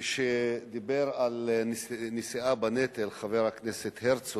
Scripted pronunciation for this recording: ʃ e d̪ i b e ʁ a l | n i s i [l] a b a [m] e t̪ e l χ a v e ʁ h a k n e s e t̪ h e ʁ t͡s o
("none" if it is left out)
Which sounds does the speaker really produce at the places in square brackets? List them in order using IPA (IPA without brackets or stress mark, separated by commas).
none, n